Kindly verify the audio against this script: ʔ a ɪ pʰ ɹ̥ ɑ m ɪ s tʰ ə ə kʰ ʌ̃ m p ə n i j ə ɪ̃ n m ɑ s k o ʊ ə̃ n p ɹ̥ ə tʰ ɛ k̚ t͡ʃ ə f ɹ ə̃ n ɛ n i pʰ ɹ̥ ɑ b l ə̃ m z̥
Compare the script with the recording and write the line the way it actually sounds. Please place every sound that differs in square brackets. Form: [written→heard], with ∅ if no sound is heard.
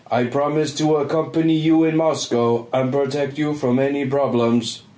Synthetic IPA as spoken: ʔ a ɪ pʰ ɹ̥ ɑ m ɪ s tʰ ə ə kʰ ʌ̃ m p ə n i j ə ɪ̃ n m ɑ s k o ʊ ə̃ n p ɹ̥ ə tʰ ɛ k̚ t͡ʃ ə f ɹ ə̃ [n→m] ɛ n i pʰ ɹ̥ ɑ b l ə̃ m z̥